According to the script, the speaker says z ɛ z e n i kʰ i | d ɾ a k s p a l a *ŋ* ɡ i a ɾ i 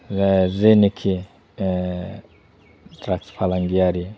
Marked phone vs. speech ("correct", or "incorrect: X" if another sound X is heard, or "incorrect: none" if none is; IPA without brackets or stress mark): correct